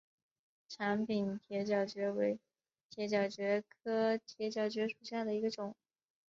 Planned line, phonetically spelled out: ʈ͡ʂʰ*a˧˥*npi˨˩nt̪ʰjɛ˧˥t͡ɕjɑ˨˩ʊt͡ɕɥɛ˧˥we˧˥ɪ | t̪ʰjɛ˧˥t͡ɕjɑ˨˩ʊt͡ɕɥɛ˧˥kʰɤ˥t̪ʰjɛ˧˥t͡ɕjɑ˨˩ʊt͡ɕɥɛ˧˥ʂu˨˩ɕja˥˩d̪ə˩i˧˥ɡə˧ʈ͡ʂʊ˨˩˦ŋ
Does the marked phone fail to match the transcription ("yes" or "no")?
no